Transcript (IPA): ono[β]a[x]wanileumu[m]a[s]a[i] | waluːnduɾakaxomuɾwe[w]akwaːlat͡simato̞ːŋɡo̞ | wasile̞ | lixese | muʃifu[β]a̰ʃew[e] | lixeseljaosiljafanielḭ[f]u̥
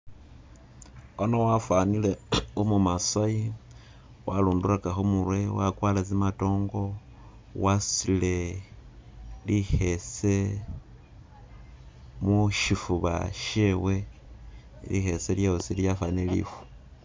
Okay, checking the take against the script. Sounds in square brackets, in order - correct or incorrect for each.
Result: incorrect, incorrect, correct, correct, correct, correct, correct, correct, correct

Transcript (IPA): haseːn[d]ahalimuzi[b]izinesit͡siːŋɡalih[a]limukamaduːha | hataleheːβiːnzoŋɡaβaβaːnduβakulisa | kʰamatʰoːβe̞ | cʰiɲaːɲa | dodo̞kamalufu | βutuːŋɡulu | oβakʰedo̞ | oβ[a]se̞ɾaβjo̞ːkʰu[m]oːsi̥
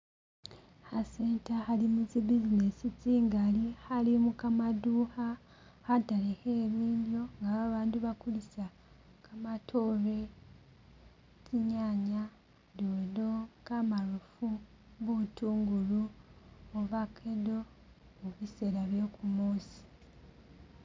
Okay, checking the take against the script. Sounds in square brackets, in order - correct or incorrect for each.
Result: incorrect, correct, correct, incorrect, correct

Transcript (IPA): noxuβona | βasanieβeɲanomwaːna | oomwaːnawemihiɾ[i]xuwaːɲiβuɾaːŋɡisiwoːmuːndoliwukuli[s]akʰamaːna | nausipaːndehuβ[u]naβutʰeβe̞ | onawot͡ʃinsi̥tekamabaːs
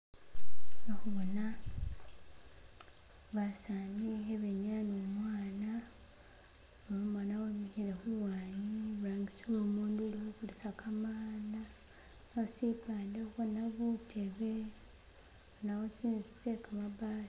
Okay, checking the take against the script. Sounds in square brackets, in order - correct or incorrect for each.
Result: incorrect, correct, incorrect

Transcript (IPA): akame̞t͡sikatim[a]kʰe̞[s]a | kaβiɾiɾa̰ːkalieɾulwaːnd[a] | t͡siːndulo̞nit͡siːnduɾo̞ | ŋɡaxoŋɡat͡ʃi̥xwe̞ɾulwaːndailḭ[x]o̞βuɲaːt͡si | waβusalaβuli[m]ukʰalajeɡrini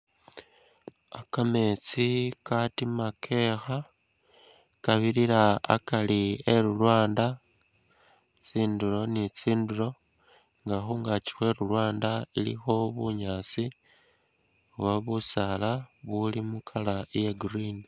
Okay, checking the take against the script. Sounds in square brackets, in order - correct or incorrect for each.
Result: correct, incorrect, correct, correct, correct

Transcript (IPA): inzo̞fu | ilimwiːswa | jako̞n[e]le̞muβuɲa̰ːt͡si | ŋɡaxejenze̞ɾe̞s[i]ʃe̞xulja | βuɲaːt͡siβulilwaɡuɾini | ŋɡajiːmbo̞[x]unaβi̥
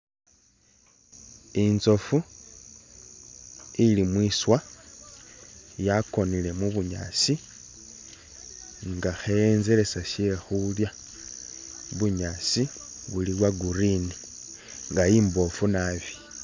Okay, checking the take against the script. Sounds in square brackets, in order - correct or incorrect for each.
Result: incorrect, incorrect, incorrect

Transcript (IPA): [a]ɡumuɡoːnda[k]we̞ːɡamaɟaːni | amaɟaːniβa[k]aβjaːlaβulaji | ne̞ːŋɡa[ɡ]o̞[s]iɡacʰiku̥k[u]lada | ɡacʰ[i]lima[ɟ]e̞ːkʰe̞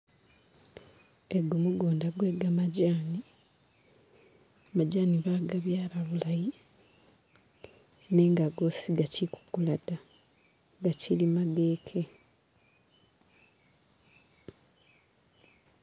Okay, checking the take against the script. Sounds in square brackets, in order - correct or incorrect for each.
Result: incorrect, incorrect, incorrect, correct, correct, correct, correct, incorrect

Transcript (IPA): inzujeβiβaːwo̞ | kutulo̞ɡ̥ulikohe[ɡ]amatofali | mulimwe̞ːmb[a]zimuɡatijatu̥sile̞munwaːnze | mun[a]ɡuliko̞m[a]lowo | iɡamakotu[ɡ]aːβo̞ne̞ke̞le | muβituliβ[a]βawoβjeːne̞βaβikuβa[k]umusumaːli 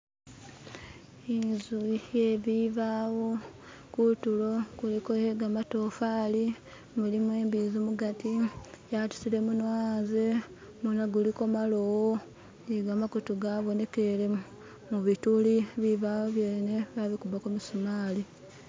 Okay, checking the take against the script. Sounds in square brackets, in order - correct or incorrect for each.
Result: correct, incorrect, correct, correct, correct, incorrect, correct

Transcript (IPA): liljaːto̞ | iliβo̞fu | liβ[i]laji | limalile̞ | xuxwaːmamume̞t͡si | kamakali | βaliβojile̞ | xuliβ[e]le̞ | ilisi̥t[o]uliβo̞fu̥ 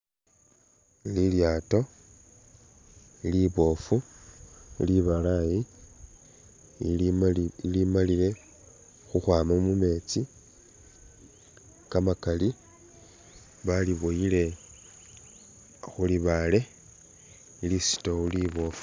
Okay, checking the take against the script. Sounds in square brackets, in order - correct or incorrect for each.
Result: incorrect, incorrect, correct

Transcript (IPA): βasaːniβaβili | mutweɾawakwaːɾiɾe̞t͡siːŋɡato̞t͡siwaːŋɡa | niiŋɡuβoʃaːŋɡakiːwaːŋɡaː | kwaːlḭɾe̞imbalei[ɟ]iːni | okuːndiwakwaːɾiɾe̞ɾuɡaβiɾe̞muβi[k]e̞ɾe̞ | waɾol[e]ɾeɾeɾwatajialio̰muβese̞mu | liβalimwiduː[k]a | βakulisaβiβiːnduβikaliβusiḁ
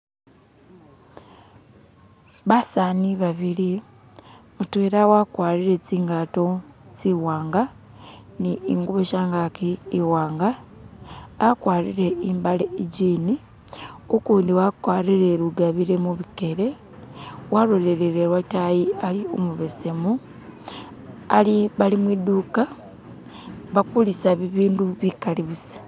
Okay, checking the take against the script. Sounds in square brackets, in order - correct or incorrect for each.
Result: correct, correct, correct, correct

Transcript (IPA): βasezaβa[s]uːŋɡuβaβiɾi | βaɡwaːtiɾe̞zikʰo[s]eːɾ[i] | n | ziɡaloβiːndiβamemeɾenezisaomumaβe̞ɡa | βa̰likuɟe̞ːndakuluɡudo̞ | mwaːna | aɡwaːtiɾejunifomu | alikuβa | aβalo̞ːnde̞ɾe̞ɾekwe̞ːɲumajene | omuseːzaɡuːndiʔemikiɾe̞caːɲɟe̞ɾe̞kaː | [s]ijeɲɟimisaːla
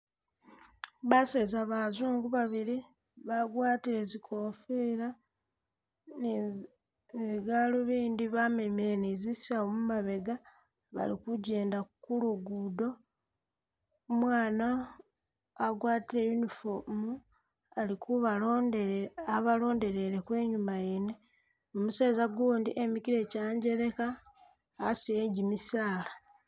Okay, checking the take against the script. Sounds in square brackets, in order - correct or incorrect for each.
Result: incorrect, incorrect, incorrect, correct

